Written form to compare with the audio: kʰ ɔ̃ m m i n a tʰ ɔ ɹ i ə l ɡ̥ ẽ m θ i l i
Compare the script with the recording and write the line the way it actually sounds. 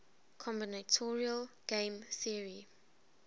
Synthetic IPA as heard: kʰ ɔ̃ m b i n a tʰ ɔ ɹ i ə l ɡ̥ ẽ m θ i ɹ i